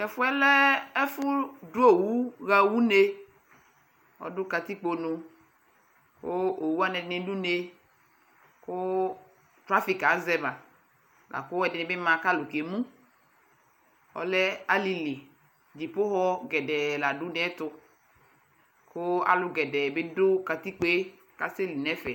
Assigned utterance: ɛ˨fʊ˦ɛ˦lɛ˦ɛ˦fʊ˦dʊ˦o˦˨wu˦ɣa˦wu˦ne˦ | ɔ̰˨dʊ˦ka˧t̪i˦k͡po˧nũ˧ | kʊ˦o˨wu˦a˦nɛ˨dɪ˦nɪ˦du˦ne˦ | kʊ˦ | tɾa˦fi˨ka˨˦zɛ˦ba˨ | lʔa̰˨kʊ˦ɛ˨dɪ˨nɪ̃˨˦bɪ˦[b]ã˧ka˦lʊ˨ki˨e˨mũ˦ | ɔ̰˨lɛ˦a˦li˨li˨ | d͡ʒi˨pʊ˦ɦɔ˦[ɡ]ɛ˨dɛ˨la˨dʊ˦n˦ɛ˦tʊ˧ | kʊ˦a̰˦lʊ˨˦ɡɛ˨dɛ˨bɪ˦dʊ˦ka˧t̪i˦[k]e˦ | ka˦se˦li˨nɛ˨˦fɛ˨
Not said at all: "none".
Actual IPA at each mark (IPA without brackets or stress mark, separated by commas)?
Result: m, ɡ, k͡p